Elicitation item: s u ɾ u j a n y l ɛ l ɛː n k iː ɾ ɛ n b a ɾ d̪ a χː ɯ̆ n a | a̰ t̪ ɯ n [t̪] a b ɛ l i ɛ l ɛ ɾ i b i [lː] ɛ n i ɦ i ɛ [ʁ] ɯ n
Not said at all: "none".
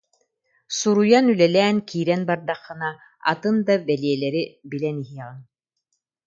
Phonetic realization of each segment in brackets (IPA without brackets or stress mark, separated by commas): d̪, l, ʁ